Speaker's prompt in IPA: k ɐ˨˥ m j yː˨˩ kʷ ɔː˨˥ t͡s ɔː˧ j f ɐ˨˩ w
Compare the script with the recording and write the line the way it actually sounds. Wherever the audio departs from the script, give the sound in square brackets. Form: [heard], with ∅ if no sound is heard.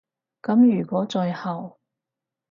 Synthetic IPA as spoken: k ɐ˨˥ m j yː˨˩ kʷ ɔː˨˥ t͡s ɔː˧ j [h] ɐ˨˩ w

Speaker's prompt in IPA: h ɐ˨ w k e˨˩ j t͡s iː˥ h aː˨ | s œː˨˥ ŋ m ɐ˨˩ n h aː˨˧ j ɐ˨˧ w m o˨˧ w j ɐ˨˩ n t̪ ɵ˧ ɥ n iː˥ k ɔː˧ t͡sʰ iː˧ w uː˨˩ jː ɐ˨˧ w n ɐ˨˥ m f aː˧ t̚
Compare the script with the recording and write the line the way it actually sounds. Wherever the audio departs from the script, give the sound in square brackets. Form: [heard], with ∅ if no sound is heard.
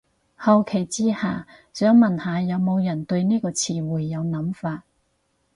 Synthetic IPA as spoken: h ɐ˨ w [kʰ] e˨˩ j t͡s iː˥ h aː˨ | s œː˨˥ ŋ m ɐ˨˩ n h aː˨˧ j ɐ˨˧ w m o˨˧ w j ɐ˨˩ n t̪ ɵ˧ ɥ n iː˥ k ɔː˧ t͡sʰ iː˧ w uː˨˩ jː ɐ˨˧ w n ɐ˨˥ m f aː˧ t̚

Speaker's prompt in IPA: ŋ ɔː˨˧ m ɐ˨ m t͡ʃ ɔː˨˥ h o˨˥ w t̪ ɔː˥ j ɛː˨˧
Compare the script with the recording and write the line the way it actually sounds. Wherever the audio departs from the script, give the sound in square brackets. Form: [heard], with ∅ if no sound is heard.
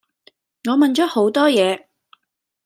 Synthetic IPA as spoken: ŋ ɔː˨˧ m ɐ˨ [n] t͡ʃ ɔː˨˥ h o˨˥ w t̪ ɔː˥ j ɛː˨˧

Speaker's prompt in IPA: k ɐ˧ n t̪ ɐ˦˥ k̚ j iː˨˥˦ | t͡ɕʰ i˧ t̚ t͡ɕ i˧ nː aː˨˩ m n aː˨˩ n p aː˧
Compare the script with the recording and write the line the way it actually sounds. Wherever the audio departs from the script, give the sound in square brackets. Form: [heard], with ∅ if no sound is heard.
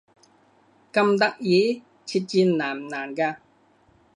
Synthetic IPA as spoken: k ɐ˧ [m] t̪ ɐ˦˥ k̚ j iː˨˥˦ | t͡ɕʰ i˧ t̚ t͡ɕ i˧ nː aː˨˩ m n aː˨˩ n [k] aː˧

